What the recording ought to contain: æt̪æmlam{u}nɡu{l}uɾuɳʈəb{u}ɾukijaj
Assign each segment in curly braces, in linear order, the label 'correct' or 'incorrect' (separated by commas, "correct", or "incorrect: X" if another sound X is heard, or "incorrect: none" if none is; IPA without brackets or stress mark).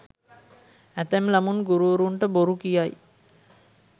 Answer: correct, incorrect: ɾ, incorrect: o